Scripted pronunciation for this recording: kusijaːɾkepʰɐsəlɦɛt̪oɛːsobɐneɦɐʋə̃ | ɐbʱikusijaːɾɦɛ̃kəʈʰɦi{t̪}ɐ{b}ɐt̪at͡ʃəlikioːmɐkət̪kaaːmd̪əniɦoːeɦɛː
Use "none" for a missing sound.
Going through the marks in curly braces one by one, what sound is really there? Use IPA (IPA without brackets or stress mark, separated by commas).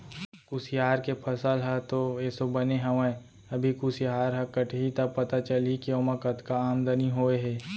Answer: t̪, p